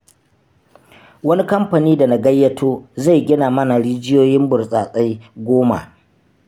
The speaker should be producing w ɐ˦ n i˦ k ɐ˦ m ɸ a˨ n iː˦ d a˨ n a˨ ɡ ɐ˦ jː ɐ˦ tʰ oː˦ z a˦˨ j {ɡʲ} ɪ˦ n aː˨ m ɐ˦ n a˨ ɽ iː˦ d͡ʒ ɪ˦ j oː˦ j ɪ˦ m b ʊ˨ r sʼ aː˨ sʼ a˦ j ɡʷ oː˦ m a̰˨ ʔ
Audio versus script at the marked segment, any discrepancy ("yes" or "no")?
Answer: no